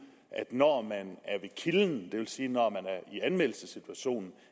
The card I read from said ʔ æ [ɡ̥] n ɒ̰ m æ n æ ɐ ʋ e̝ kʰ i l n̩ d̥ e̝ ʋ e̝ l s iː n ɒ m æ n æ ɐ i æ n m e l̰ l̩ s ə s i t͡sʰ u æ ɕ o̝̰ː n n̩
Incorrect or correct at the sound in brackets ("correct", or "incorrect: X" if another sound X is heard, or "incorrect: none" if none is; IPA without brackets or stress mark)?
incorrect: d̥